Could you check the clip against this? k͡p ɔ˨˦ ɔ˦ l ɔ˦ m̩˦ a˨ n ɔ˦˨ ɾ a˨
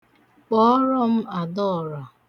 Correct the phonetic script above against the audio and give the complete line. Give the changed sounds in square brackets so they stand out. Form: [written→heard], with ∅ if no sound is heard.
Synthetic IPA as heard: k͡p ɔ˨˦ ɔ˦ [l→ɾ] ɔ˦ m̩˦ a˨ [n→d] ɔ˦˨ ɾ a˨